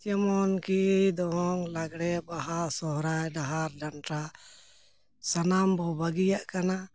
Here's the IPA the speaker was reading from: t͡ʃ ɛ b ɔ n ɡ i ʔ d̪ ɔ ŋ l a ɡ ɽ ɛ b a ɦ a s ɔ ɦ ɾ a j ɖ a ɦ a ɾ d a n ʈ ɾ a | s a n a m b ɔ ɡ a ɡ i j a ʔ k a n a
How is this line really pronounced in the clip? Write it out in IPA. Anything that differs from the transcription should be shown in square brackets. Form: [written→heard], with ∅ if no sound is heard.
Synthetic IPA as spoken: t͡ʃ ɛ [b→m] ɔ n [ɡ→k] i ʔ d̪ ɔ ŋ l a ɡ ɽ ɛ b a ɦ a s ɔ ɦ ɾ a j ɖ a ɦ a ɾ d a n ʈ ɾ a | s a n a m b ɔ [ɡ→b] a ɡ i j a ʔ k a n a